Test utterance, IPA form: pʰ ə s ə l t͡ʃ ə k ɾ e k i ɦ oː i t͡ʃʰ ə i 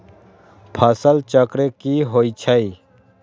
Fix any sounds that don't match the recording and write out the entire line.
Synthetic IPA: pʰ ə s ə l t͡ʃ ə k ɾ e k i ɦ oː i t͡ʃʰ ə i